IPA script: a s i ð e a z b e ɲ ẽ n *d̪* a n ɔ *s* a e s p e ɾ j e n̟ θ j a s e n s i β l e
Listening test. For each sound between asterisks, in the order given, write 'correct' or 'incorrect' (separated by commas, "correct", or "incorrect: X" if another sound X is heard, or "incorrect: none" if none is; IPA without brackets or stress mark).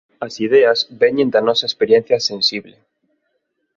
correct, correct